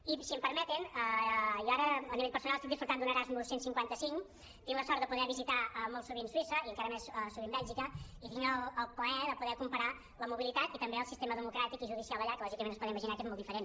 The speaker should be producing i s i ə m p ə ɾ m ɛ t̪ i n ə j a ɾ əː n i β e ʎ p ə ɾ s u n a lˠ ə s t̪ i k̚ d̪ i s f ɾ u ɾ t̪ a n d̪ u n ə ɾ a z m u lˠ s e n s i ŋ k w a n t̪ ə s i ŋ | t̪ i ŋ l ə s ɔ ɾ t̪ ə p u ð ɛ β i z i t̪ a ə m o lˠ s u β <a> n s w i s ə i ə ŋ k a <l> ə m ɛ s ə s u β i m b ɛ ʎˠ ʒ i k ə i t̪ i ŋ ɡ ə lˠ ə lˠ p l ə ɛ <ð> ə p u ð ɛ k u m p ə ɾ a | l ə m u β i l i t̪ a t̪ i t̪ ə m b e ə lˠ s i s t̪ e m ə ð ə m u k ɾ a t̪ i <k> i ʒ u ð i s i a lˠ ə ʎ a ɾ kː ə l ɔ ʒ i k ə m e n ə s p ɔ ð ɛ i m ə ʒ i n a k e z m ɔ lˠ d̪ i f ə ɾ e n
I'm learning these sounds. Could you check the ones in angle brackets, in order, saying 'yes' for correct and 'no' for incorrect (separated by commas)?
no, no, yes, yes